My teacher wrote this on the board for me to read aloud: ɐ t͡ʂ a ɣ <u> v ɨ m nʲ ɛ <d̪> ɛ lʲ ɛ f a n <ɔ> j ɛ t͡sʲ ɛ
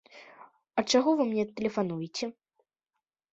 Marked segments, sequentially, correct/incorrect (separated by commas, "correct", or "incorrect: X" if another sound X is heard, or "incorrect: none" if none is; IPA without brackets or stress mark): incorrect: ɔ, incorrect: t̪, incorrect: u